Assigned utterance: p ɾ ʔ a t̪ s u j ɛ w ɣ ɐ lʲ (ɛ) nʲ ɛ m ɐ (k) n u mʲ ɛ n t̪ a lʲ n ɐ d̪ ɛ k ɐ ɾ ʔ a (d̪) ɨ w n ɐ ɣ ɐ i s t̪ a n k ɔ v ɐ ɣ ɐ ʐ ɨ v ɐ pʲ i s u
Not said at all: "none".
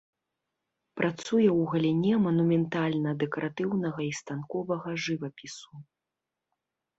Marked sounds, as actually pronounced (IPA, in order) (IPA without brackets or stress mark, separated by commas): i, none, t̪